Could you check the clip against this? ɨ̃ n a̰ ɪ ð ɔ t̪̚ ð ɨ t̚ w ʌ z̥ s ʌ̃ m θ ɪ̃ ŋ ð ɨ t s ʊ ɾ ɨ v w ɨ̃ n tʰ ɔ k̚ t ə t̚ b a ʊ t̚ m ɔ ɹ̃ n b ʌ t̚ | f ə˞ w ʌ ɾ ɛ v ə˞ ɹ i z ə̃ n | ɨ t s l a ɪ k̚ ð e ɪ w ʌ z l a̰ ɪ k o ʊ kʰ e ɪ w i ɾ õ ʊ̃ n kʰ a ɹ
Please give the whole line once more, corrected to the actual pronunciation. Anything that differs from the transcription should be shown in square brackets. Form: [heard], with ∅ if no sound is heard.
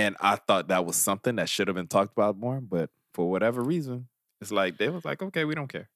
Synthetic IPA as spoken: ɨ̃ n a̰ ɪ [θ] ɔ t̪̚ ð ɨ t̚ w ʌ z̥ s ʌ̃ m θ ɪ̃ ŋ ð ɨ t [ʃ] ʊ ɾ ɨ v [b] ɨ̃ n tʰ ɔ k̚ t ə [∅] b a ʊ t̚ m ɔ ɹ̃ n b ʌ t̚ | f ə˞ w ʌ ɾ ɛ v ə˞ ɹ i z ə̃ n | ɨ t s l a ɪ k̚ ð e ɪ w ʌ z l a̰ ɪ k o ʊ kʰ e ɪ w i ɾ õ ʊ̃ n kʰ [ɛ] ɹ